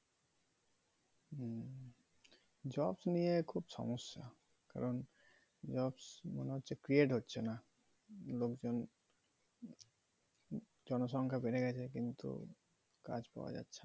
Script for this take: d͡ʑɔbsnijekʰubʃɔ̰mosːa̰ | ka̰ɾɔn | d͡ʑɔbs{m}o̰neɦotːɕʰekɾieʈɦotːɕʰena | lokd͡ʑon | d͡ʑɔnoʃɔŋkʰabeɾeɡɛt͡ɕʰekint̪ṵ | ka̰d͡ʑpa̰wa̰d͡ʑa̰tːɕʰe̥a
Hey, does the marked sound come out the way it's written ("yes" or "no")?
yes